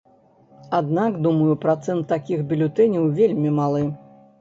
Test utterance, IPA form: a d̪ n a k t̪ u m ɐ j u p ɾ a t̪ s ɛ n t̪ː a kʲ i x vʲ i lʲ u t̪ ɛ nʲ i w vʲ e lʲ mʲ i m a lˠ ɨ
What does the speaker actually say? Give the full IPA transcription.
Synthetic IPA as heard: a d̪ n a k d̪ u m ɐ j u p ɾ a t̪ s ɛ n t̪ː a kʲ i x bʲ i lʲ u t̪ ɛ nʲ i w vʲ e lʲ mʲ i m a lˠ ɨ